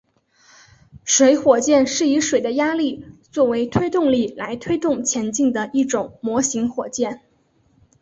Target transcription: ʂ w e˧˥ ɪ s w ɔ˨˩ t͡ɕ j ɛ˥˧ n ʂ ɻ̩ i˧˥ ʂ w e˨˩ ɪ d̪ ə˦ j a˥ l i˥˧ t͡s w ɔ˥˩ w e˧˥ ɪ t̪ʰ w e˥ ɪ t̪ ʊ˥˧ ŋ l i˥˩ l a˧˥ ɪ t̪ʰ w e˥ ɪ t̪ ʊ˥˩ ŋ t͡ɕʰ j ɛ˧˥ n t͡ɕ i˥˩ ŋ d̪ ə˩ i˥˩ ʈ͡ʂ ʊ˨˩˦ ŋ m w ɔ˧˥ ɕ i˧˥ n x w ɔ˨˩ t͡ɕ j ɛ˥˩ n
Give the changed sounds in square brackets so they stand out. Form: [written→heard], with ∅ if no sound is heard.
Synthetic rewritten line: ʂ w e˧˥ ɪ [s→x] w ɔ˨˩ t͡ɕ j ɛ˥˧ n ʂ ɻ̩ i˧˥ ʂ w e˨˩ ɪ d̪ ə˦ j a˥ l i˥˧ t͡s w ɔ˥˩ w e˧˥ ɪ t̪ʰ w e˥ ɪ t̪ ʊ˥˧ ŋ l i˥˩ l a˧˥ ɪ t̪ʰ w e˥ ɪ t̪ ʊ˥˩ ŋ t͡ɕʰ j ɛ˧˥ n t͡ɕ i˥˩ ŋ d̪ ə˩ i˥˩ ʈ͡ʂ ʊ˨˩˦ ŋ m w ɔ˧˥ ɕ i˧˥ [n→ŋ] x w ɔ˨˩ t͡ɕ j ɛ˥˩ n